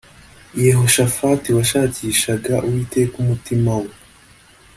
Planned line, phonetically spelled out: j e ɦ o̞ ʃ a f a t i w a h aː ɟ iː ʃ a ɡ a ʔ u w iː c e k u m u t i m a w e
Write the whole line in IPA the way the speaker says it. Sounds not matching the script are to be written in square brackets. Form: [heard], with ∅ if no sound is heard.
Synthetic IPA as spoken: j e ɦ o̞ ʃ a f a t i w a [ʃ] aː [c] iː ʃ a ɡ a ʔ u w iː [t] e k u m u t i m a w e